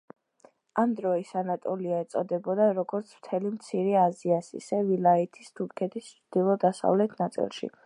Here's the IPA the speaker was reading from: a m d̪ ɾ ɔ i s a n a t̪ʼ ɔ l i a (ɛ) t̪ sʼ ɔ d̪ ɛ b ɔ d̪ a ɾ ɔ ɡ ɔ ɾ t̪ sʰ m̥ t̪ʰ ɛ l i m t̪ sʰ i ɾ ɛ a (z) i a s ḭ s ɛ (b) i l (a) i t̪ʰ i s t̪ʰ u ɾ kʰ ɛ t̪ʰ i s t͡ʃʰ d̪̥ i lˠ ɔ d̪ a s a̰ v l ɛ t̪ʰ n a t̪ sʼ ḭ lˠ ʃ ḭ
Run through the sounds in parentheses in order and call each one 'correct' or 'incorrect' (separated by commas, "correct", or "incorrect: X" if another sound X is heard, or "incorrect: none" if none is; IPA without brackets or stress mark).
correct, correct, incorrect: v, correct